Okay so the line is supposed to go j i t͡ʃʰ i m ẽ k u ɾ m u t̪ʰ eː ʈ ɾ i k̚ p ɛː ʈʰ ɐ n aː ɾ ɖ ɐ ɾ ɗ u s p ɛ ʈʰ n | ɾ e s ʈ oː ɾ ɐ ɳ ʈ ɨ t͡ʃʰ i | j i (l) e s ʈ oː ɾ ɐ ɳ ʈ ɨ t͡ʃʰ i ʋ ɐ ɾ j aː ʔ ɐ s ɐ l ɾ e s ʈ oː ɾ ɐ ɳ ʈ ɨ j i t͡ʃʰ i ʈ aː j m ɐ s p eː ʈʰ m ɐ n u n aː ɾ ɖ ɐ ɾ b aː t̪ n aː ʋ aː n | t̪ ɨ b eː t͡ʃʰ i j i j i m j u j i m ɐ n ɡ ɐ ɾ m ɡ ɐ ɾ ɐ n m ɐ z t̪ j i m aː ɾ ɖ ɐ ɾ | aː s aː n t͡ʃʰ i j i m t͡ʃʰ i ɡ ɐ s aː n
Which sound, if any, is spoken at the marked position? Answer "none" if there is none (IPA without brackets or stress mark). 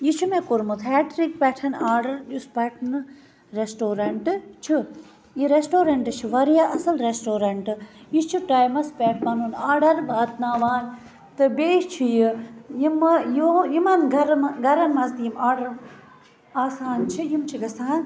ɾ